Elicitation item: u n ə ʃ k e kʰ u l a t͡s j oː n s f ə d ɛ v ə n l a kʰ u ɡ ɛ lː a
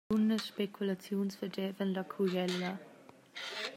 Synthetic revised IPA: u n ə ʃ p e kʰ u l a t͡s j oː n s f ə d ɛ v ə n l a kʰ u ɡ ɛ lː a